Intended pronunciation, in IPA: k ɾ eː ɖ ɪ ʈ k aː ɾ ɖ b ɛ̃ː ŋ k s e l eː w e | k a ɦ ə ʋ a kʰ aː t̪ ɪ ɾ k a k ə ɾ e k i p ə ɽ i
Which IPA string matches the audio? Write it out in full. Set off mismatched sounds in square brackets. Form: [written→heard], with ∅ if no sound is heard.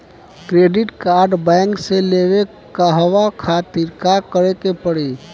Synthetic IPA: k ɾ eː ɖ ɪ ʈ k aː ɾ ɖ b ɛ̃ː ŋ k s e l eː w e | k a ɦ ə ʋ a kʰ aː t̪ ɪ ɾ k a k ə ɾ e k [i→e] p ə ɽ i